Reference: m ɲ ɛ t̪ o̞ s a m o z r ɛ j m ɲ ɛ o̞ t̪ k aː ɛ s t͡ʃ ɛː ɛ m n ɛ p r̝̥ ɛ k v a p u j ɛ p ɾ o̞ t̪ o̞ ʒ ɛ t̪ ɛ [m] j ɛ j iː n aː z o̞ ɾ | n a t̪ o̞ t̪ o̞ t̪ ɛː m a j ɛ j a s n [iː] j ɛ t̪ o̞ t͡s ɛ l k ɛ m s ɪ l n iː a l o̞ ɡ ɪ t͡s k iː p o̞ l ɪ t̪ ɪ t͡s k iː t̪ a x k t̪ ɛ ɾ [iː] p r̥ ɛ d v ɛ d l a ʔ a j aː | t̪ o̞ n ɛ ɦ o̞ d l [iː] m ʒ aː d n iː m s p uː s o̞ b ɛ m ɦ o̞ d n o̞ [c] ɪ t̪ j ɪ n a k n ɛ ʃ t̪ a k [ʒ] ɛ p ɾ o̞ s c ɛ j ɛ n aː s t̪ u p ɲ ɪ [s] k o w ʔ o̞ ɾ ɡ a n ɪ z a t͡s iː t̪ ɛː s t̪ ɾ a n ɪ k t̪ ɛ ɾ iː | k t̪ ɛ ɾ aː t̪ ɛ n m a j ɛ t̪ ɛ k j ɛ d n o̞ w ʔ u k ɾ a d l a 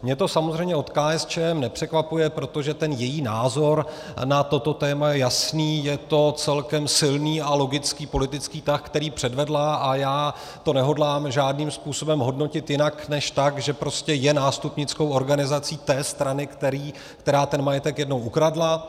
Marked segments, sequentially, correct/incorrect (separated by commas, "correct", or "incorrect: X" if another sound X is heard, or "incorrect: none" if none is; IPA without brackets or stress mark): incorrect: n, correct, correct, incorrect: aː, correct, correct, incorrect: t͡s